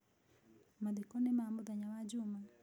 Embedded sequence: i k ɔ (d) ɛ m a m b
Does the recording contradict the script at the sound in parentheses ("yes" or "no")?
yes